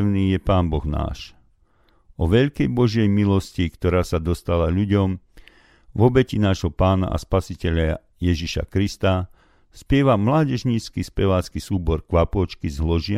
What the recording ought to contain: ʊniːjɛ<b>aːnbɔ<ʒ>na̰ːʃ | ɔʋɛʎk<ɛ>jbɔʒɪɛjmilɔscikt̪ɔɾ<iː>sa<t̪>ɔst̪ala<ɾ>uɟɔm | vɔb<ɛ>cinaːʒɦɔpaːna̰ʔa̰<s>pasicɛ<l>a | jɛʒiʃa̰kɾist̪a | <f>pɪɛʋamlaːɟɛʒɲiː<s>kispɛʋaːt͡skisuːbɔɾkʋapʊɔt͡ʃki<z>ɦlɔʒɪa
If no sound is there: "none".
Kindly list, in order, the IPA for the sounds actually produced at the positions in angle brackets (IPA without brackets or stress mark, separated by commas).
p, ɣ, ɛ, aː, d̪, ʎ, ɛ, s, ʎ, s, t͡s, z